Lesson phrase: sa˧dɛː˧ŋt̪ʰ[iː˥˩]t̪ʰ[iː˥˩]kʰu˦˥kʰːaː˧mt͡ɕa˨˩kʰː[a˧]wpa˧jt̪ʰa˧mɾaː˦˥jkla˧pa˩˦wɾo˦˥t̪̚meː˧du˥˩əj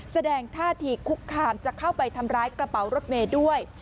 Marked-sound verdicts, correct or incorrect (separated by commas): incorrect, incorrect, incorrect